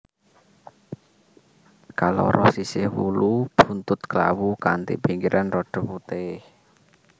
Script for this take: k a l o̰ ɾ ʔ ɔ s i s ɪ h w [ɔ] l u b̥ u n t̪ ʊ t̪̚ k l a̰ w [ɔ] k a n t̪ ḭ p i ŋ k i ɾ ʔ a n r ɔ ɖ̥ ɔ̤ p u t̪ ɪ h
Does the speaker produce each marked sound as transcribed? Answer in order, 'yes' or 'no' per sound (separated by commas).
no, no